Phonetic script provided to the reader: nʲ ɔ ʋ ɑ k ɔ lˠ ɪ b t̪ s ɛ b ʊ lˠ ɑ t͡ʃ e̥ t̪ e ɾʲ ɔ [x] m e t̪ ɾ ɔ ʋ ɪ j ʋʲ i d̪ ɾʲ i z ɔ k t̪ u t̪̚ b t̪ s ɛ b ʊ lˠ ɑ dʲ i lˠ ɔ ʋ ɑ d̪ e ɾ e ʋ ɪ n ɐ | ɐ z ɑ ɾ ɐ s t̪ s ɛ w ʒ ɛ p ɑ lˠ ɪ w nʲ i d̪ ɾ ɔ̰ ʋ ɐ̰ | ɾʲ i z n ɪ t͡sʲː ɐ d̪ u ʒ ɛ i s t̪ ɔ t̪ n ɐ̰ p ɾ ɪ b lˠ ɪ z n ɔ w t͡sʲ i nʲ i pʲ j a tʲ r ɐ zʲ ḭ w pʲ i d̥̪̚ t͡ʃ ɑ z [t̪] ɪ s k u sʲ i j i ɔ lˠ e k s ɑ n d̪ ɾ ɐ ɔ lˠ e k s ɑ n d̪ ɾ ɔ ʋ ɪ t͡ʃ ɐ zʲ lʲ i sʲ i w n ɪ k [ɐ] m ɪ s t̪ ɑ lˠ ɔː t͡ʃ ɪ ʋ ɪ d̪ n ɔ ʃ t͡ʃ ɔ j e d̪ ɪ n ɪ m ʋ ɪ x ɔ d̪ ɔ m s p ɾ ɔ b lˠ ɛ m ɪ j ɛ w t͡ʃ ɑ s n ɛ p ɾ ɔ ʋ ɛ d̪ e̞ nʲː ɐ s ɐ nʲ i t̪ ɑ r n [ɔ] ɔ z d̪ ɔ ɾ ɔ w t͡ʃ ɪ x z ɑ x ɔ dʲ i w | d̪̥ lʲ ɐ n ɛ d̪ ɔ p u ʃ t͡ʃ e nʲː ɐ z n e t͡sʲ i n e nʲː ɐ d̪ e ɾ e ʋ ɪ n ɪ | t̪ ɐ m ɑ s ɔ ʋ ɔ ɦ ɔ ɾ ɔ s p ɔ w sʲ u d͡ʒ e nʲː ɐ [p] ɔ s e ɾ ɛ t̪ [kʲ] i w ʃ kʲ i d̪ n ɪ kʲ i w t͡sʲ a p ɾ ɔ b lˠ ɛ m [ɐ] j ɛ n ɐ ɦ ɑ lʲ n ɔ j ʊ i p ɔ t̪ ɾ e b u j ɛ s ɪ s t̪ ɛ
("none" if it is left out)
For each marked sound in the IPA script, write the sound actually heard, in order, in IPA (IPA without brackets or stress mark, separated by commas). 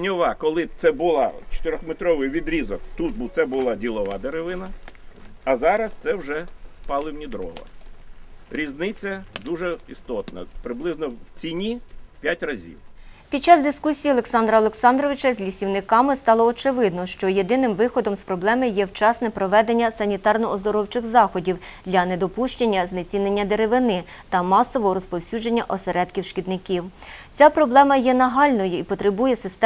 x, d̪, ɑ, ɔ, ʔ, kʲ, ɐ